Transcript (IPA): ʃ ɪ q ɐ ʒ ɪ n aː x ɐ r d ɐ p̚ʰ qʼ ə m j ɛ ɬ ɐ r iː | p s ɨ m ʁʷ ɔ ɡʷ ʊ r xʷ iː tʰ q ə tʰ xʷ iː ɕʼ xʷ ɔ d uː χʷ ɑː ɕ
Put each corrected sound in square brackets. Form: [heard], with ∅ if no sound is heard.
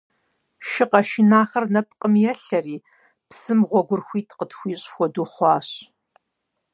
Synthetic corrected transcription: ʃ ɪ q ɐ [ʃ] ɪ n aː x ɐ r [n] ɐ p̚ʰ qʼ ə m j ɛ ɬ ɐ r iː | p s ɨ m ʁʷ ɔ ɡʷ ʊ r xʷ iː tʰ q ə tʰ xʷ iː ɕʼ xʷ ɔ d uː χʷ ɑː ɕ